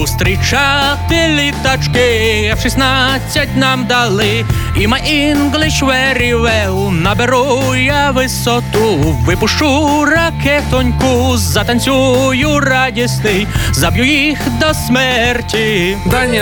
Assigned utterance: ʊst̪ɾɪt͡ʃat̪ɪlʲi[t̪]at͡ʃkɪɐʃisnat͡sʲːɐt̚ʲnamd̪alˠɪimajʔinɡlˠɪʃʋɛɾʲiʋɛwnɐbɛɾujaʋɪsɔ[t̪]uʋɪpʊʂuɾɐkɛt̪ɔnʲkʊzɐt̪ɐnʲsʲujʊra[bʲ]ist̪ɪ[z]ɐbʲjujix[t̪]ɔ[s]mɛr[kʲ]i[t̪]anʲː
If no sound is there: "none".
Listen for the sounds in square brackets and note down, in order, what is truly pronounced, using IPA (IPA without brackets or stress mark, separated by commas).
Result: t̪, t̪, dʲ, z, d̪, s, tʲ, d̪